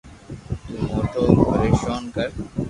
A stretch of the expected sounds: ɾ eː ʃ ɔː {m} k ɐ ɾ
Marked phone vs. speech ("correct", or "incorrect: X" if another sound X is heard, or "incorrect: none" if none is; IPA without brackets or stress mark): incorrect: n